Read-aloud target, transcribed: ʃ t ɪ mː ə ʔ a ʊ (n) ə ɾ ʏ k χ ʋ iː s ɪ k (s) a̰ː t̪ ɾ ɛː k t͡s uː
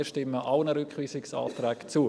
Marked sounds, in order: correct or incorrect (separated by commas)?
correct, correct